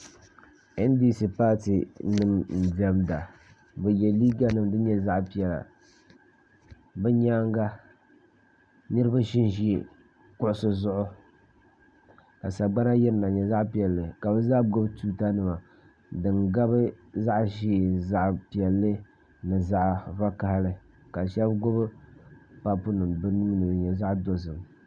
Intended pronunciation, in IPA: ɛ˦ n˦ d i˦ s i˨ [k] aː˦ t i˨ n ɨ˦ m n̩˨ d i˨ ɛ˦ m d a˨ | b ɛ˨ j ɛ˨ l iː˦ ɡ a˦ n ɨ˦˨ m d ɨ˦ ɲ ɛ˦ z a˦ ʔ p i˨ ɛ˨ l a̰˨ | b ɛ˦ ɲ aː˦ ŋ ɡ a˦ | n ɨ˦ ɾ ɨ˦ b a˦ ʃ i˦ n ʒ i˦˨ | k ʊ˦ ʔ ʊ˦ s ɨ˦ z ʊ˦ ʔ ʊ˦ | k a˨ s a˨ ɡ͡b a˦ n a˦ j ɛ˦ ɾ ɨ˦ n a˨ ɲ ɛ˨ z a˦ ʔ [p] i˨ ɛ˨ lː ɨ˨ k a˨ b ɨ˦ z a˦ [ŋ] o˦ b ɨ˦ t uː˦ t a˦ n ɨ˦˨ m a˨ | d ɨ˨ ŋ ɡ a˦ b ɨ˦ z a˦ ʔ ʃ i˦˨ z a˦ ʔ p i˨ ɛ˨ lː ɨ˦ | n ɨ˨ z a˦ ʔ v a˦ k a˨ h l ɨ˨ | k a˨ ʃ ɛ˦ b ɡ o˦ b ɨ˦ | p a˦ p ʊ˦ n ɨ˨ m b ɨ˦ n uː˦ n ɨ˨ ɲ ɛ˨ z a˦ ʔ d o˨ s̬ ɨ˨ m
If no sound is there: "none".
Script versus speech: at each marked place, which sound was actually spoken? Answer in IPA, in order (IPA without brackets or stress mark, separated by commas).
p, p, ɡ